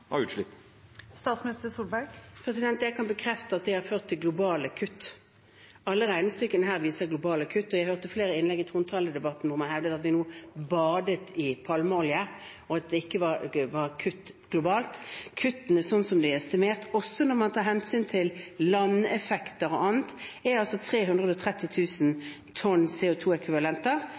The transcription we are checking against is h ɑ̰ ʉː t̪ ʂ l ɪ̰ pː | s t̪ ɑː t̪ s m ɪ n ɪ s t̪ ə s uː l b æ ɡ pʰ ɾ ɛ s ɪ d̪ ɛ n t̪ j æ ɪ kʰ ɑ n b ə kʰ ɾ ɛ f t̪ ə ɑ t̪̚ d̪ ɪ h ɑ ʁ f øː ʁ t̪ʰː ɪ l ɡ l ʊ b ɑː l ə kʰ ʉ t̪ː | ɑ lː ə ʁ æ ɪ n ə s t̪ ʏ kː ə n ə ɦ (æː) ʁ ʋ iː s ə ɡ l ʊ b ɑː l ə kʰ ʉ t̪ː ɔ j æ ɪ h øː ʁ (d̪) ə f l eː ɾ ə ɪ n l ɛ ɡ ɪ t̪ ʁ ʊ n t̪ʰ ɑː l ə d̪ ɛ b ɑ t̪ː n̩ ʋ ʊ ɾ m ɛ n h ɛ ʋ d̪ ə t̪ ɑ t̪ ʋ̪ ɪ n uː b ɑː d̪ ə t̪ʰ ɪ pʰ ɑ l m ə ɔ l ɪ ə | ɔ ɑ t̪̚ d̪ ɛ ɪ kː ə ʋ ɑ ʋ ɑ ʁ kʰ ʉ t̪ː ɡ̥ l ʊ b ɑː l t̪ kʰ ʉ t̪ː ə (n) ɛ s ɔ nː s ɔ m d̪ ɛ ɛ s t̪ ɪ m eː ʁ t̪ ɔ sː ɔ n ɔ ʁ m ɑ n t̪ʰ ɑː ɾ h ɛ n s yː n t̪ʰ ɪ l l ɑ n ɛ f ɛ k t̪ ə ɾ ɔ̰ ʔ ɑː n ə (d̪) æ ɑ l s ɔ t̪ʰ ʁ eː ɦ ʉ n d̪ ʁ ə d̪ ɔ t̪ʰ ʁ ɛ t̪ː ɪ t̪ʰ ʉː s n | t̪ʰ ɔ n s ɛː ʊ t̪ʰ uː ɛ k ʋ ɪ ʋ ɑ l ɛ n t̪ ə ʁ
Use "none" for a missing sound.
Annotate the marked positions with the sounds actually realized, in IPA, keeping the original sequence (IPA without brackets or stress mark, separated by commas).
æː, t̪, n, t̪